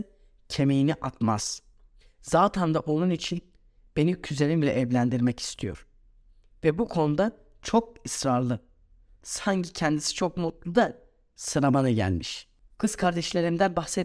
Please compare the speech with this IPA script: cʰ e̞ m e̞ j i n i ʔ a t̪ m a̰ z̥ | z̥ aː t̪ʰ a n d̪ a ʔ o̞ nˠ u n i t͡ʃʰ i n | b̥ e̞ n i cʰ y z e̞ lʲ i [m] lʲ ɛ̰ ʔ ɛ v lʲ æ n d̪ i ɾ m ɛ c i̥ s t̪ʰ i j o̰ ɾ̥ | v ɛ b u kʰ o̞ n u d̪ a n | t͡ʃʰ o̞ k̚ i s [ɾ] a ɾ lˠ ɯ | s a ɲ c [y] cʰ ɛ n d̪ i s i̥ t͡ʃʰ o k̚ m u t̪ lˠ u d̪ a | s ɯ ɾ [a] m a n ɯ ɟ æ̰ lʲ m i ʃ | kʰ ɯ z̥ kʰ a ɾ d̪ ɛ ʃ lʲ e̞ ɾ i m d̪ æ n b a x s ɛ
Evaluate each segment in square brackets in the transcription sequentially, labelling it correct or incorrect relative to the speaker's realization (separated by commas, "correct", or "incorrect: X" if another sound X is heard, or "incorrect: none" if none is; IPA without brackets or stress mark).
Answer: correct, correct, incorrect: i, correct